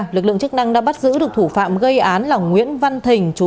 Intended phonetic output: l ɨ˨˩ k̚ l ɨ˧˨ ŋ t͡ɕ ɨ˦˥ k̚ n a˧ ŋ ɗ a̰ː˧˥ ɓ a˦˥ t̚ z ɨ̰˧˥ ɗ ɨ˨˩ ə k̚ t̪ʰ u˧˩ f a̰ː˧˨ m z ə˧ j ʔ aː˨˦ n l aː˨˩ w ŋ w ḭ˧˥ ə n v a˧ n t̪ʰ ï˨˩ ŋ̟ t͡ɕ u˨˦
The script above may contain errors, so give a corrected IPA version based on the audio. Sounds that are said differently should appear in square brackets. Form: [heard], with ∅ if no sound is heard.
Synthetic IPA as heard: l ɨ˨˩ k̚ l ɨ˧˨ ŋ t͡ɕ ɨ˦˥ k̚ n a˧ ŋ ɗ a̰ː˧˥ ɓ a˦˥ t̚ z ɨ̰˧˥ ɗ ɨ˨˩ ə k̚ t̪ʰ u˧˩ f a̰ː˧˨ m [ɣ] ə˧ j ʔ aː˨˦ n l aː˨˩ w ŋ w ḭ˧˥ ə n v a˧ n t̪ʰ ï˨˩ ŋ̟ t͡ɕ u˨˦

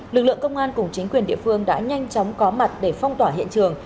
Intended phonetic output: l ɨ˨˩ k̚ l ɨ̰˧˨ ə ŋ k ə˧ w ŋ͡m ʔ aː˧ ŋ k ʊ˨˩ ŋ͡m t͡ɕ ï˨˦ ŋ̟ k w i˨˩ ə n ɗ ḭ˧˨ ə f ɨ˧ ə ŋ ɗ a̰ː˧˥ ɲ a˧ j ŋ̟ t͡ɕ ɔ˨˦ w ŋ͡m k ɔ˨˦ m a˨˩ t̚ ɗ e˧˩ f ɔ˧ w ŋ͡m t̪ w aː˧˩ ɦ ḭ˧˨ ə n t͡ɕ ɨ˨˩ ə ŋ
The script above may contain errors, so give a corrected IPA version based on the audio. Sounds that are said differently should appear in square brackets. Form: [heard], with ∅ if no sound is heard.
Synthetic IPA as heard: l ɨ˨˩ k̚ l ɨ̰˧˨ ə ŋ k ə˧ w ŋ͡m ʔ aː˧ [n] k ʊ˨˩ ŋ͡m t͡ɕ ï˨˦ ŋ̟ k w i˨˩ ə n ɗ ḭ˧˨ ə f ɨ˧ ə ŋ ɗ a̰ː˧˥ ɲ a˧ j ŋ̟ t͡ɕ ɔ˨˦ w ŋ͡m k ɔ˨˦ m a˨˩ t̚ ɗ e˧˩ f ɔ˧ w ŋ͡m t̪ w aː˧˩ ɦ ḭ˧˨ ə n t͡ɕ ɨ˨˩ ə ŋ

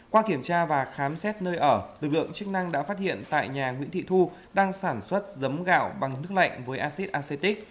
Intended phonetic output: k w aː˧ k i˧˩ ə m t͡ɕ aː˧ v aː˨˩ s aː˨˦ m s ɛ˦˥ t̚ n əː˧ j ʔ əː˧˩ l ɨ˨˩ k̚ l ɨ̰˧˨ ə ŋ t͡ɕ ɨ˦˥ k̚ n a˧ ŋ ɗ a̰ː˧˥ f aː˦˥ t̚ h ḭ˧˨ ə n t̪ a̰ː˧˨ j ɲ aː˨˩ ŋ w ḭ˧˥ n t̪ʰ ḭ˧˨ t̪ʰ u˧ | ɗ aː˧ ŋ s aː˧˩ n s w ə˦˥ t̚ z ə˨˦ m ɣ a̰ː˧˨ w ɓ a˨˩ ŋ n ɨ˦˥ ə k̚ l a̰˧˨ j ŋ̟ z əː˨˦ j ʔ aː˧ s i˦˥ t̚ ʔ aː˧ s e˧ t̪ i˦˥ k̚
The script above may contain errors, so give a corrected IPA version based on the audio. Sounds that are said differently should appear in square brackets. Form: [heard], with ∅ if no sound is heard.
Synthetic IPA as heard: k w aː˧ k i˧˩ ə m t͡ɕ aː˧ v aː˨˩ [x] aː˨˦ m s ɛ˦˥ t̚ n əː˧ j ʔ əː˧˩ l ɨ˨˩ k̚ l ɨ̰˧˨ ə ŋ t͡ɕ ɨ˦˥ k̚ n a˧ ŋ ɗ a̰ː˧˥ f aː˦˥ t̚ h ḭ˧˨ ə n t̪ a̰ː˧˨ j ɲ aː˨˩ ŋ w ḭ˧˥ n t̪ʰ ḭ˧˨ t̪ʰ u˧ | ɗ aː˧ ŋ s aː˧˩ n s w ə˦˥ t̚ z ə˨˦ m ɣ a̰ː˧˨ w ɓ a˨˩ ŋ n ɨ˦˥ ə k̚ l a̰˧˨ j ŋ̟ [v] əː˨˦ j ʔ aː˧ s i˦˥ t̚ ʔ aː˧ s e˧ t̪ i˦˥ k̚

